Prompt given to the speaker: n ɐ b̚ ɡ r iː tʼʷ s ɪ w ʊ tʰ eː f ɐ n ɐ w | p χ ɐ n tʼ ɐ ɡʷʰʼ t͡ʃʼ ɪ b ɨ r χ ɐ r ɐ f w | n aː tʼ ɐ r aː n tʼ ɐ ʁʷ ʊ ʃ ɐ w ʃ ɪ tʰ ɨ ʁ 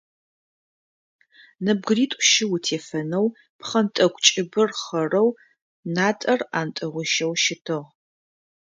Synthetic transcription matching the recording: n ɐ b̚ ɡ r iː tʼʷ ʃ ɪ w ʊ tʰ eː f ɐ n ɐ w | p χ ɐ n tʼ ɐ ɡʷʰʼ t͡ʃʼ ɪ b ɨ r χ ɐ r ɐ w | n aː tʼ ɐ r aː n tʼ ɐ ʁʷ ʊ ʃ ɐ w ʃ ɪ tʰ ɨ ʁ